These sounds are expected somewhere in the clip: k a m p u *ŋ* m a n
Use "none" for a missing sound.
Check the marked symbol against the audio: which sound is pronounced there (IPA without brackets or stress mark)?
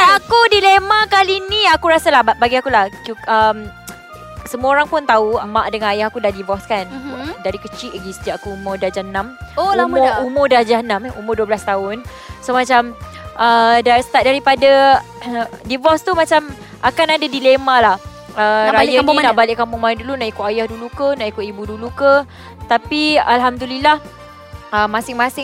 ŋ